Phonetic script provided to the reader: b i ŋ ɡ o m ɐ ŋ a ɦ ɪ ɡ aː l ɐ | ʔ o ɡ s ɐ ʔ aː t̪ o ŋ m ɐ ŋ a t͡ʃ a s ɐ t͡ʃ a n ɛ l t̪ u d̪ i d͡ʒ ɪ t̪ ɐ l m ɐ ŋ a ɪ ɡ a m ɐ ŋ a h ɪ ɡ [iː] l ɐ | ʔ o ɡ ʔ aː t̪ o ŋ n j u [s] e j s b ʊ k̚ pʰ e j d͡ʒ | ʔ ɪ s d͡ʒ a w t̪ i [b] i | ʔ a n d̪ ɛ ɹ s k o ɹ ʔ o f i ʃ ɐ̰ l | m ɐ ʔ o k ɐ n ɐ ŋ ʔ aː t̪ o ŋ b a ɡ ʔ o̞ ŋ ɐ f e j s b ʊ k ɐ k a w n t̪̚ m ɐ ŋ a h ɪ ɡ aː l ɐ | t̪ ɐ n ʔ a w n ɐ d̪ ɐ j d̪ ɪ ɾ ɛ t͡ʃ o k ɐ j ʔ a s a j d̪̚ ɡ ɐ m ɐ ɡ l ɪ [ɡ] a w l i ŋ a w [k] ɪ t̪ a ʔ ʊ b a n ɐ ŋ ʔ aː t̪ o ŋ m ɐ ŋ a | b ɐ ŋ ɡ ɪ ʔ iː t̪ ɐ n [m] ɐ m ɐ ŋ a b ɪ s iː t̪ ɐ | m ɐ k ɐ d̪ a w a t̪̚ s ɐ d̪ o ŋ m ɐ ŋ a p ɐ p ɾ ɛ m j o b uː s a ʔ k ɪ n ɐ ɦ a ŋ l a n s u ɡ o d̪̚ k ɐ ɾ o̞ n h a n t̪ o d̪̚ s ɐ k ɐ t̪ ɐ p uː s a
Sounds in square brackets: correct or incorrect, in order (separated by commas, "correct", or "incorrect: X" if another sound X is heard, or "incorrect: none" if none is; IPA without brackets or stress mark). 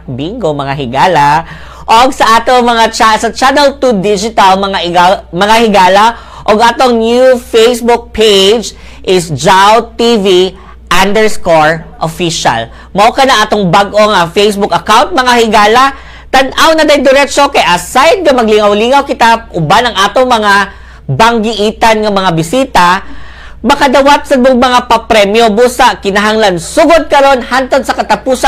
incorrect: aː, incorrect: f, incorrect: v, incorrect: ŋ, correct, incorrect: ŋ